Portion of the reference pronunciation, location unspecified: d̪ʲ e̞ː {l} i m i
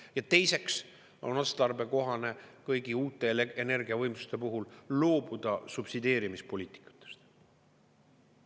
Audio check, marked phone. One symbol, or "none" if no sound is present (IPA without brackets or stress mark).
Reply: ɾ